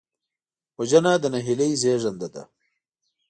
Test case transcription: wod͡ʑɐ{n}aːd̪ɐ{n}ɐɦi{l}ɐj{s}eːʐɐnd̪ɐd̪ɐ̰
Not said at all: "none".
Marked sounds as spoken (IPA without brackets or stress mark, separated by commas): n, n, l, z